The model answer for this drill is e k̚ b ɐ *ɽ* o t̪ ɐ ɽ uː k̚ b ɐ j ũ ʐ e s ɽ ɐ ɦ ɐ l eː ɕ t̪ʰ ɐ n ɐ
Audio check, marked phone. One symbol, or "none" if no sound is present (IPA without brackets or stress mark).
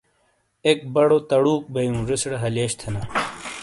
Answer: ɽ